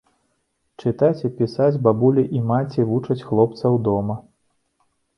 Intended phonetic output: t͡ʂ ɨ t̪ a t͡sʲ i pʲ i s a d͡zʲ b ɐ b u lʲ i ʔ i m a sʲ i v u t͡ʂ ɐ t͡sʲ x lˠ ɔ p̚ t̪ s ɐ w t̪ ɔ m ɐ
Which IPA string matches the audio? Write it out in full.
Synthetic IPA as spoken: t͡ʂ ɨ t̪ a t͡sʲ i pʲ i s a d͡zʲ b a b u lʲ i ʔ i m a t͡sʲ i v u t͡ʂ ɐ t͡sʲ x lˠ ɔ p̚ t̪ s ɐ w d̪ ɔ m ɐ